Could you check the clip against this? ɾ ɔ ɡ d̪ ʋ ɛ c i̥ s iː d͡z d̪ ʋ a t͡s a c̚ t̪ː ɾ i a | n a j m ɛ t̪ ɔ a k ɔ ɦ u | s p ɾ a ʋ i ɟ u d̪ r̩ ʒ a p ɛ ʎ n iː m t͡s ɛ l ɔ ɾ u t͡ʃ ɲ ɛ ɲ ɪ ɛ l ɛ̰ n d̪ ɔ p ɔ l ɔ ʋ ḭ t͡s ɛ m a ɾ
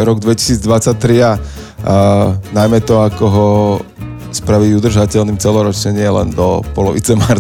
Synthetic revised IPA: ɾ ɔ ɡ d̪ ʋ ɛ c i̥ s iː d͡z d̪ ʋ a t͡s a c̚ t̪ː ɾ i a | n a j m ɛ t̪ ɔ a k ɔ ɦ ɔ | s p ɾ a ʋ i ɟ u d̪ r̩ ʒ a c ɛ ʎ n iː m t͡s ɛ l ɔ ɾ ɔ t͡ʃ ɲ ɛ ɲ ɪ ɛ l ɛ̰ n d̪ ɔ p ɔ l ɔ ʋ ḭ t͡s ɛ m a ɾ